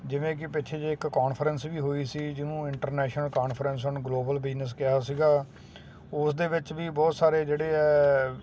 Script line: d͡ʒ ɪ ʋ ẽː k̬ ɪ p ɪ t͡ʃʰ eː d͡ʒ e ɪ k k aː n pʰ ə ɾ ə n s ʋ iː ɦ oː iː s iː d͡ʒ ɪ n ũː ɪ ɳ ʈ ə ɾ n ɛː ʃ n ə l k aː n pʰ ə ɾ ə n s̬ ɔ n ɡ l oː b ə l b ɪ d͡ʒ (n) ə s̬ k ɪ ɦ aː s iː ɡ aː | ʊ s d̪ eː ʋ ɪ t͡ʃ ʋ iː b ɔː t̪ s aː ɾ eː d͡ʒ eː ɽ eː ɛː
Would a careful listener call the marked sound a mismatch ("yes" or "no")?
no